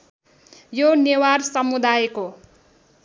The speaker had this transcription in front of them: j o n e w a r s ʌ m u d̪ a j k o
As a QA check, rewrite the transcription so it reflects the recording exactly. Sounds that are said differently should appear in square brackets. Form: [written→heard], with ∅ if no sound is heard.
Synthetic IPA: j o n e w a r s ʌ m u d̪ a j k o